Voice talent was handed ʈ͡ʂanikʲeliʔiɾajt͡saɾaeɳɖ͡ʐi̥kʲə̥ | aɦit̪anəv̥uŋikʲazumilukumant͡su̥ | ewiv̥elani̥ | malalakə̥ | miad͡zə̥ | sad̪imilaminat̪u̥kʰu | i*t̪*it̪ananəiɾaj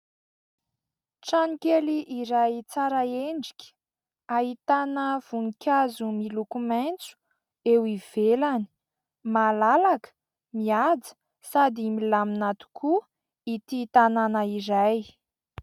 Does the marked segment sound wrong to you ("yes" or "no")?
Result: no